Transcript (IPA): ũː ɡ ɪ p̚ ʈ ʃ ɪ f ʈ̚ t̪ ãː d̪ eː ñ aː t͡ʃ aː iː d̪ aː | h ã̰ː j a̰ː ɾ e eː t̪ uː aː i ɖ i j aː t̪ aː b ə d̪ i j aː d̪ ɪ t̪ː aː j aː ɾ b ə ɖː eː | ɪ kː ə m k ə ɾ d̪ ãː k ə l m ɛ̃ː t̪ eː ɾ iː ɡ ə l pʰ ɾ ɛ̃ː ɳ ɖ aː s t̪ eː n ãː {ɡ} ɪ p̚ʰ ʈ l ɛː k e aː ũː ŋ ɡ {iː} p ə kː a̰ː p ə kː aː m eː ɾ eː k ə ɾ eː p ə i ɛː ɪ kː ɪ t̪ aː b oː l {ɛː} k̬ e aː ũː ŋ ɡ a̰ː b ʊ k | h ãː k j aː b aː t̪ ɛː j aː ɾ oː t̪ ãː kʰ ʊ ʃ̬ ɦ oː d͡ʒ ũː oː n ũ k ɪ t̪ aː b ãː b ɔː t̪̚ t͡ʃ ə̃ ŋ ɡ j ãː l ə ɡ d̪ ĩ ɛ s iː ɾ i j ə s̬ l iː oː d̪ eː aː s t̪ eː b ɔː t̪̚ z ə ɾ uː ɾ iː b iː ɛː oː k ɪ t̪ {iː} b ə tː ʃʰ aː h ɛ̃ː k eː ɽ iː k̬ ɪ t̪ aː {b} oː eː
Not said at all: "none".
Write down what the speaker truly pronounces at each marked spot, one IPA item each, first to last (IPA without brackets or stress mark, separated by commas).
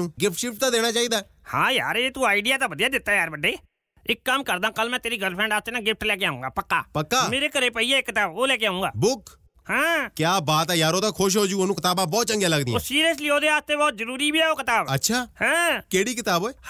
ɡ, aː, ɛː, aː, b